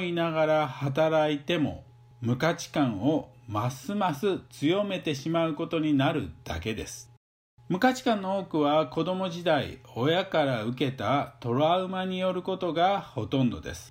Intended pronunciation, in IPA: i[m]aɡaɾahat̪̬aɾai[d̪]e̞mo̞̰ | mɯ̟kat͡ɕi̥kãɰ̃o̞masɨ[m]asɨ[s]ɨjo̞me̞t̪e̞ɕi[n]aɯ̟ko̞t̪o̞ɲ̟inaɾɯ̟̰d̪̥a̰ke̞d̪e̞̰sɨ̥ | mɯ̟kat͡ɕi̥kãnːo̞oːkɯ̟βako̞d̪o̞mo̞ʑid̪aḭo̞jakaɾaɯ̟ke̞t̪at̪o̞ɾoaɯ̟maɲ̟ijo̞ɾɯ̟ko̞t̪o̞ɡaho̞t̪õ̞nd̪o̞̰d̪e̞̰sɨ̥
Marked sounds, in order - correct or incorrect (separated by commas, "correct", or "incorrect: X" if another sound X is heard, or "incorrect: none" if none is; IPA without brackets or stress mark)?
incorrect: n, incorrect: t̪, correct, incorrect: t͡s, incorrect: m